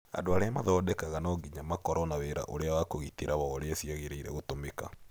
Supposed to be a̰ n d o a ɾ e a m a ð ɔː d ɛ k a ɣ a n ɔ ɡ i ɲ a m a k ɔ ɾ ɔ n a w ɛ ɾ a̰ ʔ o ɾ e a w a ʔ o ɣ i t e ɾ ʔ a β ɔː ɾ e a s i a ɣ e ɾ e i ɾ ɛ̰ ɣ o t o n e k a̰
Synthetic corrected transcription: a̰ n d o a ɾ e a m a ð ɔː d ɛ k a ɣ a n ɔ ɡ i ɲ a m a k ɔ ɾ ɔ n a w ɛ ɾ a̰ ʔ o ɾ e a w a k o ɣ i t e ɾ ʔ a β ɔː ɾ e a s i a ɣ e ɾ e i ɾ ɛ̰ ɣ o t o m e k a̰